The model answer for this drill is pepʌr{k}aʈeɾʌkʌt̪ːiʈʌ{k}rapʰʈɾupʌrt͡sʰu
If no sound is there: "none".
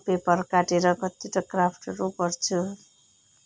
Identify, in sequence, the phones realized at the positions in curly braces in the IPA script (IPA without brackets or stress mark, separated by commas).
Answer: k, k